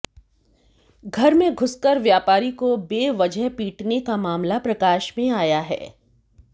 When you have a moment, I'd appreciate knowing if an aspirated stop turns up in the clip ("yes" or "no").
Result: no